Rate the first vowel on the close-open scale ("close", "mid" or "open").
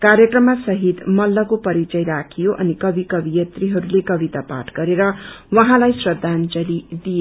open